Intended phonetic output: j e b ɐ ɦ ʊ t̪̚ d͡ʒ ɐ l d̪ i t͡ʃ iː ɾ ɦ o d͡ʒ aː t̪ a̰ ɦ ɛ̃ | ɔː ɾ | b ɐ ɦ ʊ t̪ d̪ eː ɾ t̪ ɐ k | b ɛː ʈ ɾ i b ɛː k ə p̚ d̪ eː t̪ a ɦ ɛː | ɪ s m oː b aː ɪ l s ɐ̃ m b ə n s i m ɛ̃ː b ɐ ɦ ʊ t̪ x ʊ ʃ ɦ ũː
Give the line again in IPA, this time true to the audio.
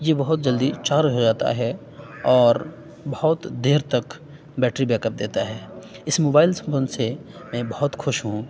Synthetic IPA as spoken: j e b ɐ ɦ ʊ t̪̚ d͡ʒ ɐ l d̪ i t͡ʃ aː ɾ ɦ o d͡ʒ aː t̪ a̰ ɦ ɛ | ɔː ɾ | b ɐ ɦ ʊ t̪ d̪ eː ɾ t̪ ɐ k | b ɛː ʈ ɾ i b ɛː k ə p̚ d̪ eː t̪ a ɦ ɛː | ɪ s m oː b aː ɪ l s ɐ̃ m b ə n s e m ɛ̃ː b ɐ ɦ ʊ t̪ x ʊ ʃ ɦ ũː